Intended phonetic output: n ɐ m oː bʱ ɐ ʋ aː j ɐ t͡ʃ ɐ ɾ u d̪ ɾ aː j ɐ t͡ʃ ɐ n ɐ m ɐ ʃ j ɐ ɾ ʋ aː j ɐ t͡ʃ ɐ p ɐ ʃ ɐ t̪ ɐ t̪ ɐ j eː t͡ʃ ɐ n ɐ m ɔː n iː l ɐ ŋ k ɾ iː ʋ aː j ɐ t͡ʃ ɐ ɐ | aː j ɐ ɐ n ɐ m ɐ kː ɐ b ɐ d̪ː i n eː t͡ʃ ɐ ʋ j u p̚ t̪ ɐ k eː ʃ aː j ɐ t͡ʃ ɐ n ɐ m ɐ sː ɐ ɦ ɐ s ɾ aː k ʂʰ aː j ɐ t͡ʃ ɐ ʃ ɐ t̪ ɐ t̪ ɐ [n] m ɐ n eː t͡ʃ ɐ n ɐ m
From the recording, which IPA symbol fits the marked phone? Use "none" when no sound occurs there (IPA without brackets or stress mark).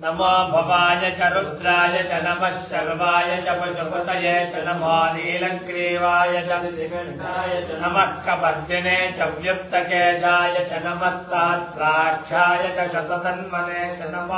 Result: n